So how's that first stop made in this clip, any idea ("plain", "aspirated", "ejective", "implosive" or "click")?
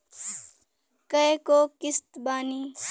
plain